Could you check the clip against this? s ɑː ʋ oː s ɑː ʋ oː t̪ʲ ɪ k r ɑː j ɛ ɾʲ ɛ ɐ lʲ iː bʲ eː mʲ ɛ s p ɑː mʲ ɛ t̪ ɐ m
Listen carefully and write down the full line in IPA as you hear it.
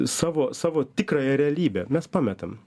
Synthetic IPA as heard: s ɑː ʋ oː s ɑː ʋ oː t̪ʲ ɪ k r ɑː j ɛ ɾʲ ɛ ɐ lʲ iː bʲ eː mʲ ɛ s p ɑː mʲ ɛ t̪ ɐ m

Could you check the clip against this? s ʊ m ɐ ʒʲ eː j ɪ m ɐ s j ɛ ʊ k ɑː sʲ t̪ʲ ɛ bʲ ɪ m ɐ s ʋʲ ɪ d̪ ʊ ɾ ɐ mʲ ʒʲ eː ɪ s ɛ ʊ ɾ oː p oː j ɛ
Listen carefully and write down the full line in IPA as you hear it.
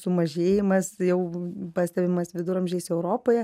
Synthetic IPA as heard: s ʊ m ɐ ʒʲ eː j ɪ m ɐ s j ɛ ʊ p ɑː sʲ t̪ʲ ɛ bʲ ɪ m ɐ s ʋʲ ɪ d̪ ʊ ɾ ɐ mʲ ʒʲ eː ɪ s ɛ ʊ ɾ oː p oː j ɛ

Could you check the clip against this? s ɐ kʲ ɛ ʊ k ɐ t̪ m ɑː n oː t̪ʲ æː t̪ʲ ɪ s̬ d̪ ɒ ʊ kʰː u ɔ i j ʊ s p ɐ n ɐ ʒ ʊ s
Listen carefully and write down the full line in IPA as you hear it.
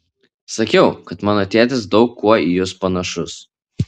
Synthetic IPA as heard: s ɐ kʲ ɛ ʊ k ɐ t̪ m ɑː n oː t̪ʲ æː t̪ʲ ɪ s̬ d̪ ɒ ʊ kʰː u ɔ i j ʊ s p ɐ n ɐ ʃ ʊ s

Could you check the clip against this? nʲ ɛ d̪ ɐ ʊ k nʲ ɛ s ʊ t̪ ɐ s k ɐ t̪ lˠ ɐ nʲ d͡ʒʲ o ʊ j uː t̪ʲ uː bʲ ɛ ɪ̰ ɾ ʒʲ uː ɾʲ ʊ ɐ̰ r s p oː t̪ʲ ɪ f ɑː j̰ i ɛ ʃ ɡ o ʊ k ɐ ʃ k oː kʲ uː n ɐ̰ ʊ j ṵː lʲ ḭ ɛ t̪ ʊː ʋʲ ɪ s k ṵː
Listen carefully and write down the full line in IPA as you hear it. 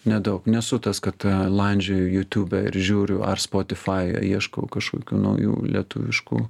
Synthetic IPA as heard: nʲ ɛ d̪ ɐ ʊ k nʲ ɛ s ʊ t̪ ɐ s k ɐ t̪ lˠ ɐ nʲ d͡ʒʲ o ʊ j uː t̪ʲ uː bʲ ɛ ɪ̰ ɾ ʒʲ uː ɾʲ ʊ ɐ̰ r s p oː t̪ʲ ɪ f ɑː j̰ i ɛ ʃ k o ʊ k ɐ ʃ k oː kʲ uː n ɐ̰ ʊ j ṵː lʲ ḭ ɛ t̪ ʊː ʋʲ ɪ ʃ k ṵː

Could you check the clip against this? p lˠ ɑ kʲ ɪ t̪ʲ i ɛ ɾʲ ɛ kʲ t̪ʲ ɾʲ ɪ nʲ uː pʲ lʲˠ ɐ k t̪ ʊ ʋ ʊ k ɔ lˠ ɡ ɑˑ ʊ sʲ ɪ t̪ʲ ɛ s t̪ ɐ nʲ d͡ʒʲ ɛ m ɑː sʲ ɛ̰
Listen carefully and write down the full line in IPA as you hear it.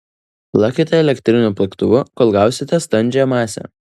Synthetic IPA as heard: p lˠ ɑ kʲ ɪ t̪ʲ ɛ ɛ lʲ ɛ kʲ t̪ʲ ɾʲ ɪ nʲ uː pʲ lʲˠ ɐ k t̪ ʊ ʋ ʊ k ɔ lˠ ɡ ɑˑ ʊ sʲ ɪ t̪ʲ ɛ s t̪ ɐ nʲ d͡ʒʲ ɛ m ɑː sʲ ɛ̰

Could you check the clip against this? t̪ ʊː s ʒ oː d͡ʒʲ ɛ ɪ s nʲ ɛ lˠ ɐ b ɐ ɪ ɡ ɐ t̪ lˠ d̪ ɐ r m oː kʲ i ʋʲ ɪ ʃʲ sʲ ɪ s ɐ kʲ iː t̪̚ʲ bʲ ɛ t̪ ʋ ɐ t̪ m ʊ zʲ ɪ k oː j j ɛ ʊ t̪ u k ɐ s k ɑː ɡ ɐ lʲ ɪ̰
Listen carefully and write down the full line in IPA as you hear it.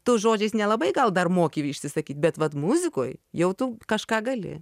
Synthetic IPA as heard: t̪ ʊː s ʒ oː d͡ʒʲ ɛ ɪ s nʲ ɛ lˠ ɐ b ɐ ɪ ɡ ɐ lˠ d̪ ɐ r m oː kʲ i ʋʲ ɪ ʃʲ sʲ ɪ s ɐ kʲ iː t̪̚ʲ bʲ ɛ t̪ ʋ ɐ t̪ m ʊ zʲ ɪ k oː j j ɛ ʊ t̪ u k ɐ ʃ k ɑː ɡ ɐ lʲ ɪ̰

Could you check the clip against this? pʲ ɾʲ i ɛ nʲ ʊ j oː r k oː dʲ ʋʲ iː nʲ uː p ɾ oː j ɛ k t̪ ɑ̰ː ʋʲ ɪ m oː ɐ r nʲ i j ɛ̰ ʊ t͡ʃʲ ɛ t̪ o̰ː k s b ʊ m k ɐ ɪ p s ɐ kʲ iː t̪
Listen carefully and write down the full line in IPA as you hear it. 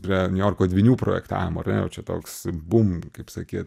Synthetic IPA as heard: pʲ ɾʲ i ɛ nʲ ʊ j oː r k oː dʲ ʋʲ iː nʲ uː p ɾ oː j ɛ k t̪ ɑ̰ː ʋʲ ɪ m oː ɐ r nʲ ɛ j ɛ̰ ʊ t͡ʃʲ ɛ t̪ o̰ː k s b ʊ m k ɐ ɪ p s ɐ kʲ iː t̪

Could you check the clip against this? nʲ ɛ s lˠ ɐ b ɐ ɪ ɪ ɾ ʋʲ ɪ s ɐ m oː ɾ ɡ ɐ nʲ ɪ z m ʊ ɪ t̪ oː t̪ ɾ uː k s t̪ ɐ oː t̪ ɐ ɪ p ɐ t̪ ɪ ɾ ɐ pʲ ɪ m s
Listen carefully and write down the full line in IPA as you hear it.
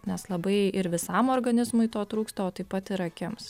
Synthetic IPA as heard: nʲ ɛ s lˠ ɐ b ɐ ɪ ɪ ɾ ʋʲ ɪ s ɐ m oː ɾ ɡ ɐ nʲ ɪ z m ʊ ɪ t̪ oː t̪ ɾ uː k s t̪ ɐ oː t̪ ɐ ɪ p ɐ t̪ ɪ ɾ ɐ kʲ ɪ m s

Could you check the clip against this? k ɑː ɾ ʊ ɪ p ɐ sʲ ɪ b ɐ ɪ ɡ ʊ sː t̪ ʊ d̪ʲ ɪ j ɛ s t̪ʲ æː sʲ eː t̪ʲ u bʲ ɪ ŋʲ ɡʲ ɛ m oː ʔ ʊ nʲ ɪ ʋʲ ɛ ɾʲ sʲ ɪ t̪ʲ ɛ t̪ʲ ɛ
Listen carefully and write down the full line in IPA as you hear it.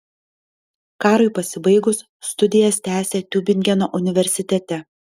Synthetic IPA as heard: k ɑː ɾ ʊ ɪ p ɐ sʲ ɪ b ɐ ɪ ɡ ʊ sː t̪ ʊ d̪ʲ ɪ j ɛ s t̪ʲ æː sʲ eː t̪ʲ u bʲ ɪ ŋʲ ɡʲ ɛ n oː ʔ ʊ nʲ ɪ ʋʲ ɛ ɾʲ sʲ ɪ t̪ʲ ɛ t̪ʲ ɛ

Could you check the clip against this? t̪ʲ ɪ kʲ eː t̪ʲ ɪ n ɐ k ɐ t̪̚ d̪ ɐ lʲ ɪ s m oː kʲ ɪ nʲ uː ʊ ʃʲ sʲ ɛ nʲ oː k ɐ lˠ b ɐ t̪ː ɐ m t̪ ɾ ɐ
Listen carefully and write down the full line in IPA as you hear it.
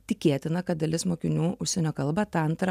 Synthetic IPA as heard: t̪ʲ ɪ kʲ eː t̪ʲ ɪ n ɐ k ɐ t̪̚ d̪ ɐ lʲ ɪ s m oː kʲ ɪ nʲ uː ʊ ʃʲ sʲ ɛ nʲ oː k ɐ lˠ b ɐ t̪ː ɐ n t̪ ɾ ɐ

